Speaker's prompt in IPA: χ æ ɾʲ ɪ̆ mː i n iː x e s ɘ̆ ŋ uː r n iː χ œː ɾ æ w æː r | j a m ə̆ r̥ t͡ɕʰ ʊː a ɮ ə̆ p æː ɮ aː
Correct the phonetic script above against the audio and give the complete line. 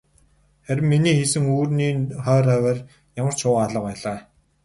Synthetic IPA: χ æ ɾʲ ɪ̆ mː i n iː x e s ɘ̆ ŋ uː r n iː χ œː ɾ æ w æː r | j a m ə̆ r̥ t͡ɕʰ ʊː a ɮ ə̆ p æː ɮ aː